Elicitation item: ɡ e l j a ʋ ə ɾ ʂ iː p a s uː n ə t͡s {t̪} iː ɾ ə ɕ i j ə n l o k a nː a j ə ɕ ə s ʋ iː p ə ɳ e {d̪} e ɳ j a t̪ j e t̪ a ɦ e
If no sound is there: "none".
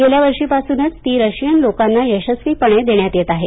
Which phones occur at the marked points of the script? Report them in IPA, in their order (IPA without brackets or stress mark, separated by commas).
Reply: t̪, d̪